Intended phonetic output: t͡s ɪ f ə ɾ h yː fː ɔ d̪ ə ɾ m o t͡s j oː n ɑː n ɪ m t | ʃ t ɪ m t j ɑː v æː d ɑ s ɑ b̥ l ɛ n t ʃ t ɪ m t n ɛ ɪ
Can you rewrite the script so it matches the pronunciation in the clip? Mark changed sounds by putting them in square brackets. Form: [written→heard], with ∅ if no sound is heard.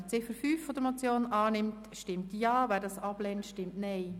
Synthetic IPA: t͡s ɪ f ə ɾ [h→f] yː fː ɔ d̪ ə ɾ m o t͡s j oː n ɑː n ɪ m t | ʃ t ɪ m t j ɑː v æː d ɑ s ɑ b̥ l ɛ n t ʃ t ɪ m t n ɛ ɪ